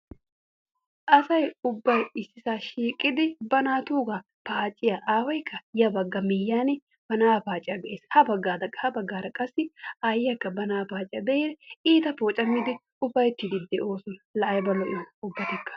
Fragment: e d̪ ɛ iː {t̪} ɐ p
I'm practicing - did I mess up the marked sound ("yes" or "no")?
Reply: no